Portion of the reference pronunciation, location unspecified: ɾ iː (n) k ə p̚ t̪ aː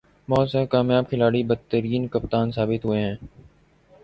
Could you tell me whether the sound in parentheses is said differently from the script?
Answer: no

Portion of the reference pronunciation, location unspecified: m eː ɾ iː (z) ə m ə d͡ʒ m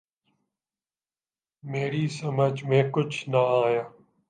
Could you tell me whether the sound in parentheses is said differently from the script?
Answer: yes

